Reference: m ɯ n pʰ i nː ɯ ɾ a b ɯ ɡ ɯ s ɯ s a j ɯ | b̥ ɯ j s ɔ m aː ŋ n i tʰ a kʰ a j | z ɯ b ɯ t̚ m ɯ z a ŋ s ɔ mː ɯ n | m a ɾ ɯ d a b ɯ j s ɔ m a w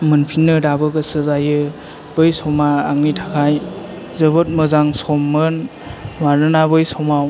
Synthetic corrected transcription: m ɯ n pʰ i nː ɯ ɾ a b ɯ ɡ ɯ s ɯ z a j ɯ | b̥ ɯ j s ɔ m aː ŋ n i tʰ a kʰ a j | z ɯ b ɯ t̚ m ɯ z a ŋ s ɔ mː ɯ n | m a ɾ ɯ n a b ɯ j s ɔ m a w